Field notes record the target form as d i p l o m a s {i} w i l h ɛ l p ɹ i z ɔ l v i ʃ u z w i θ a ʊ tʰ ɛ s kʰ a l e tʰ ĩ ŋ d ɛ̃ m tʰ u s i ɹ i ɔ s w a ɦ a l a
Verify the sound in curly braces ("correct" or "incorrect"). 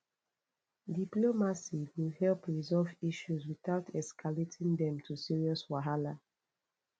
correct